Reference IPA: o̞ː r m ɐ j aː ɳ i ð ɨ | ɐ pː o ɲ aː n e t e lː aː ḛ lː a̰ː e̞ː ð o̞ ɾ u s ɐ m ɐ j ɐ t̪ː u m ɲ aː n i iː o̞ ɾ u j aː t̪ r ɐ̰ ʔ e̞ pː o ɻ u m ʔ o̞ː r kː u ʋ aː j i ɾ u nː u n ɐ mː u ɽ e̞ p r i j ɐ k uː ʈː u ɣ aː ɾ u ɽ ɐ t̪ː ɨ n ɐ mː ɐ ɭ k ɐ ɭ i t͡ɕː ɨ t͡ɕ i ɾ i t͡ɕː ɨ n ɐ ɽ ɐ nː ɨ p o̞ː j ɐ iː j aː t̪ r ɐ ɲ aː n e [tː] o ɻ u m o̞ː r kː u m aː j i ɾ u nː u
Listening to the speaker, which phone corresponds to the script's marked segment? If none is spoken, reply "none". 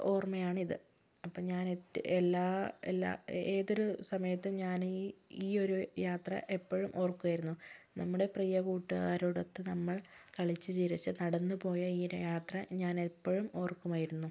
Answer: pː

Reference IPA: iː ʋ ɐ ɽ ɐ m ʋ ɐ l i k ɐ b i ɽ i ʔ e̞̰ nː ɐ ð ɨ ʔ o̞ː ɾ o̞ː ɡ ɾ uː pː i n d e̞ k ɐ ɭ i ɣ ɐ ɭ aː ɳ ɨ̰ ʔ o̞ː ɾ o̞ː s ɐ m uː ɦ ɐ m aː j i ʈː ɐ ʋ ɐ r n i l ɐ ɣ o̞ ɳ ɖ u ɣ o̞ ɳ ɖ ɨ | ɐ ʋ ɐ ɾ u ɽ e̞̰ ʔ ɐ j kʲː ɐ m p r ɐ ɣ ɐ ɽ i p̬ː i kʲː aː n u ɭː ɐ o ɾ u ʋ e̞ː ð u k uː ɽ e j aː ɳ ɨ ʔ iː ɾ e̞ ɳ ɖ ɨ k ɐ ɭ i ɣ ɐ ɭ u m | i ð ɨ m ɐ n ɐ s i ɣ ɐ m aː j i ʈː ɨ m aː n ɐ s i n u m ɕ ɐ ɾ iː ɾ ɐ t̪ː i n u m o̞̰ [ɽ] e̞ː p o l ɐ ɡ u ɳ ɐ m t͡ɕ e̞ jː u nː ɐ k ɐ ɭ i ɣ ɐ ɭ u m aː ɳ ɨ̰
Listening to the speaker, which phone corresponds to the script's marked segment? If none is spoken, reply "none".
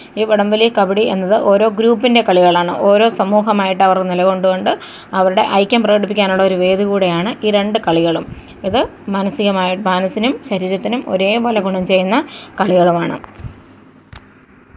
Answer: ɾ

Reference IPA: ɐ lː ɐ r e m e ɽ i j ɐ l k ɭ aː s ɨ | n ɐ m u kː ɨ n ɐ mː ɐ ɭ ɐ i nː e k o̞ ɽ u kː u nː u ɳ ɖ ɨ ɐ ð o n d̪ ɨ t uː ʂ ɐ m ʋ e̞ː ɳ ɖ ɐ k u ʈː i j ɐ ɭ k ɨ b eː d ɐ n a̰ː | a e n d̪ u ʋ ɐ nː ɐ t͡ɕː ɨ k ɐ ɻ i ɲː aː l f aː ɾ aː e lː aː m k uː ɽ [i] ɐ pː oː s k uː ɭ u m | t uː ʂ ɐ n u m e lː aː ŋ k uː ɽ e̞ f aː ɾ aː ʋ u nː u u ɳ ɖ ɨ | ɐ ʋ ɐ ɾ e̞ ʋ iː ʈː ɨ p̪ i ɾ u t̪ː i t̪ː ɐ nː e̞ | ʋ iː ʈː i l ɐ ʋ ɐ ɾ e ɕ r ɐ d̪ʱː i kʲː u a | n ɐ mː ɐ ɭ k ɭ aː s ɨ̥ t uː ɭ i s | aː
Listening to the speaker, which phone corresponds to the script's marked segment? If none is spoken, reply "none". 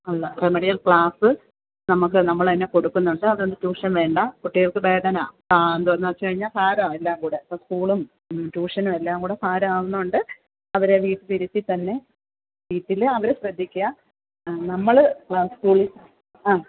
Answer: e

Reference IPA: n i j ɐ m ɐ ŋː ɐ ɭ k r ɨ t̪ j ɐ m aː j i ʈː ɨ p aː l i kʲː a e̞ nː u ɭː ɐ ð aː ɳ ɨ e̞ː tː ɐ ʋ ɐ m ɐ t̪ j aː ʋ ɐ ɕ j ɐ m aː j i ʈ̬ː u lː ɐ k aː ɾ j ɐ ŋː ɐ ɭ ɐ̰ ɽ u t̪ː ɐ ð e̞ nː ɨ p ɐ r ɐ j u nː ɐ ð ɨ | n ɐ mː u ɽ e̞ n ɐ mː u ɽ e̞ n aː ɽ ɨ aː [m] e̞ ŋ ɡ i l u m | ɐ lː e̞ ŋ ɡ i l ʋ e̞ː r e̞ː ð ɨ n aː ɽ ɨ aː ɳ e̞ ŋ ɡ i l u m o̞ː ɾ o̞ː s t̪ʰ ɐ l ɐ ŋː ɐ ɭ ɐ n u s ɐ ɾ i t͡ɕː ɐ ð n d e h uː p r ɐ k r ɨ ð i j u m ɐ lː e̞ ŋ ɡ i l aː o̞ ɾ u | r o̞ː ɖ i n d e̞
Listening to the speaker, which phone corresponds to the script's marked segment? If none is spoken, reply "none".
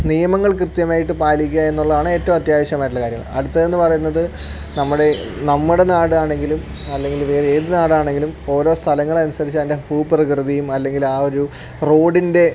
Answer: ɳ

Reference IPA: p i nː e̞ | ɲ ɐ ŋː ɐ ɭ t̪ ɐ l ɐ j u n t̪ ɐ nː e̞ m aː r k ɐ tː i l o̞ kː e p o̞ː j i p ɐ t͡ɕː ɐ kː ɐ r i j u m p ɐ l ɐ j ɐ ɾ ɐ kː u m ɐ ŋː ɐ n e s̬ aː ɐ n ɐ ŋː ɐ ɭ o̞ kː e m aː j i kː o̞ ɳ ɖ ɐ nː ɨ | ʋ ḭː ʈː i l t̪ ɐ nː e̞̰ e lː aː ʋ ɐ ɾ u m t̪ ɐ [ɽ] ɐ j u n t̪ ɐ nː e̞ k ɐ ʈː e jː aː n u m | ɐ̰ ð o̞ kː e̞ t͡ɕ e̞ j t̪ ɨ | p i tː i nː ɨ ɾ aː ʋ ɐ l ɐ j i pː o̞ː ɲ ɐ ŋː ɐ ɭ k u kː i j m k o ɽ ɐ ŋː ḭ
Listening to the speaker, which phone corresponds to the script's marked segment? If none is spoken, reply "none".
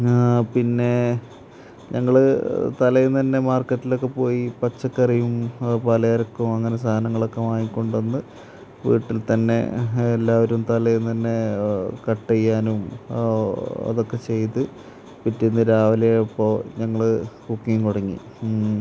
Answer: l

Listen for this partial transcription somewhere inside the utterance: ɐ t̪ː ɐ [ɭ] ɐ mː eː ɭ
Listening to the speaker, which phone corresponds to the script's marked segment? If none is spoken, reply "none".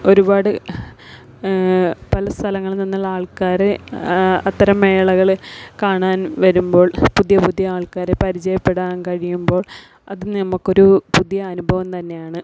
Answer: ɾ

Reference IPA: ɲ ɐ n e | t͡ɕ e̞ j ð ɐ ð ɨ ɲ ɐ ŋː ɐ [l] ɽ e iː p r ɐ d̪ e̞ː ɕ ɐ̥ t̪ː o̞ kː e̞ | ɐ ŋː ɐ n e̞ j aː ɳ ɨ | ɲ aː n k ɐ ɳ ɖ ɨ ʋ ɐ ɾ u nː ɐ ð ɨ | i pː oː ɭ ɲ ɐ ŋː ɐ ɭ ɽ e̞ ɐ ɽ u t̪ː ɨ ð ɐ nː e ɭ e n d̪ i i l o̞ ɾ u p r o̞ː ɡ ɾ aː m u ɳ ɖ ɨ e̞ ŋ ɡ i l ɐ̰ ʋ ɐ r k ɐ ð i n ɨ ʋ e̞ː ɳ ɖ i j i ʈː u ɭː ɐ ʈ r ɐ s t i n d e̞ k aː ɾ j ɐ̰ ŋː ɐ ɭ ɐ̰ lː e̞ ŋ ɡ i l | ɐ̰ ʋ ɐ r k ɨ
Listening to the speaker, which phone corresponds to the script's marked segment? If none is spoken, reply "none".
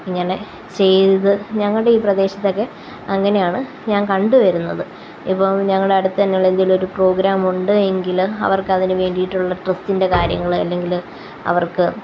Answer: ɭ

